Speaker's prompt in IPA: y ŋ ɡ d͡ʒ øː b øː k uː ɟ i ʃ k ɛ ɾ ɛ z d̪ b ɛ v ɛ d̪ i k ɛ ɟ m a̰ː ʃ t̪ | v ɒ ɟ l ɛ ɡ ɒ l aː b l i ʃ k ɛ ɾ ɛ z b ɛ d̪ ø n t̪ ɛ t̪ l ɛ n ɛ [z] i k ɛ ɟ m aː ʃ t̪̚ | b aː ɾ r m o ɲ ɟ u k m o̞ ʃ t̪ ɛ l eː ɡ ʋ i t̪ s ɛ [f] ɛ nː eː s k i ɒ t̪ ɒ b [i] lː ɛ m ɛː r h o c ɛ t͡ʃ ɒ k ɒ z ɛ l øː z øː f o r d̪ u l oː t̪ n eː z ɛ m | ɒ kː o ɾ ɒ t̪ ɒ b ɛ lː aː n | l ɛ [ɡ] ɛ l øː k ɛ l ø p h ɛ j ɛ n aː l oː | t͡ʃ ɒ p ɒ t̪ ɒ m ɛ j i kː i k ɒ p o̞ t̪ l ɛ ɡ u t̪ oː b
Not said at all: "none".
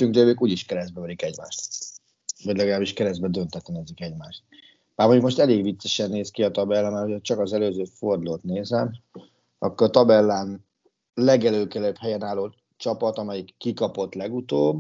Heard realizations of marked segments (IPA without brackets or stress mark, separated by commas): z, ʃ, ɛ, ɡ